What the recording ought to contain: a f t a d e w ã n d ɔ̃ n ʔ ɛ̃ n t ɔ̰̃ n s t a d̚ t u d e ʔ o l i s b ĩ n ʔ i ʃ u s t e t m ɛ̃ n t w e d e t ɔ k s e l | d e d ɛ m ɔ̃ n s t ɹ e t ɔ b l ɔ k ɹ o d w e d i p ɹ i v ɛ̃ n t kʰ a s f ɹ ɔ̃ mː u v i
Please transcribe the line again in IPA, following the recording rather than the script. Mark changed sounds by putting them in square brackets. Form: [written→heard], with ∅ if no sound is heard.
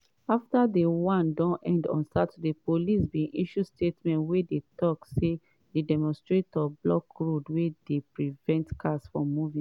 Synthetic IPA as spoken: a f t a d e w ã n d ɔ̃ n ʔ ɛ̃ n [t→d] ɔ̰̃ n s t a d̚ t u d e [ʔ→p] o l i s b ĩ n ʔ i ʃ u s t e t m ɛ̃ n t w e d e t ɔ k s e [l→∅] | d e d ɛ m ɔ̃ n s t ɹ e t ɔ b l ɔ k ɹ o d w e d [i→e] p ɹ i v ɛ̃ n t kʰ a s f ɹ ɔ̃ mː u v [i→ĩ]